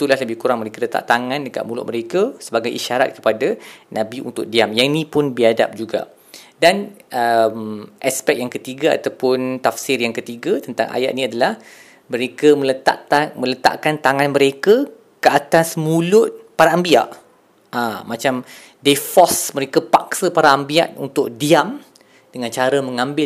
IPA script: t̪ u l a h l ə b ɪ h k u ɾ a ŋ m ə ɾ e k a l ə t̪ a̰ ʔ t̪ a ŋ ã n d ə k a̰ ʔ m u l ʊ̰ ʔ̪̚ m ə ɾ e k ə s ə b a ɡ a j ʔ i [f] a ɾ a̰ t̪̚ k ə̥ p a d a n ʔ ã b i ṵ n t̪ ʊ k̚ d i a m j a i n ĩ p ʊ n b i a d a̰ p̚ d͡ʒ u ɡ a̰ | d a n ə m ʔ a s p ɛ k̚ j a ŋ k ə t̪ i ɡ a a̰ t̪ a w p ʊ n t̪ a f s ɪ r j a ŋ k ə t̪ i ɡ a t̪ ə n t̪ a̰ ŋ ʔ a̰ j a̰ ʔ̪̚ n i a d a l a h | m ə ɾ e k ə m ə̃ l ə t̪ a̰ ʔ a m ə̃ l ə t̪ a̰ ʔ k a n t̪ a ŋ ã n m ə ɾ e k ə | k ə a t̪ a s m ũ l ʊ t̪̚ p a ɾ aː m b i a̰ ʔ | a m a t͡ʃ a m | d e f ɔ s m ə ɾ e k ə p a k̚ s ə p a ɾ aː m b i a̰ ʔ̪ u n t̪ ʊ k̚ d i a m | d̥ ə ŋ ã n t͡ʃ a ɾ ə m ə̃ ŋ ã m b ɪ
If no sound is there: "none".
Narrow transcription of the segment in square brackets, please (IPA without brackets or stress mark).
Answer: ʃ